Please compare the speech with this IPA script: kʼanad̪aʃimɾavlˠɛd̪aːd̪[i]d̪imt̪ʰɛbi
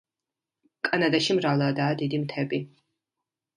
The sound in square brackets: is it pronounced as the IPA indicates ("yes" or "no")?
yes